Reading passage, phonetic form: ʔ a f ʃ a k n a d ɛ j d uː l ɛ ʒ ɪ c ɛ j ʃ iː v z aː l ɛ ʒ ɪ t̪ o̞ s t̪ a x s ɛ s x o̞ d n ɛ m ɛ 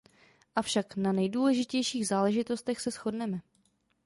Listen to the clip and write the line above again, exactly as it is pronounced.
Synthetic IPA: ʔ a f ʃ a k n a n ɛ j d uː l ɛ ʒ ɪ c ɛ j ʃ iː ɣ z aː l ɛ ʒ ɪ t̪ o̞ s t̪ ɛ x s ɛ s x o̞ d n ɛ m ɛ